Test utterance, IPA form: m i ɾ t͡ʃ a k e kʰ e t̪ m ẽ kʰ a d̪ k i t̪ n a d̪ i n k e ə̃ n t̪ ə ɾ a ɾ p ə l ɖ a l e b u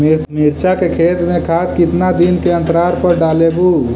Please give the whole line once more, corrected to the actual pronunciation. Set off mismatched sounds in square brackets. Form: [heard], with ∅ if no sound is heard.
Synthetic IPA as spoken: m i ɾ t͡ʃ a k e kʰ e t̪ m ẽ kʰ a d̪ k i t̪ n a d̪ i n k e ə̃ n t̪ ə ɾ a ɾ p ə [ɾ] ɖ a l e b u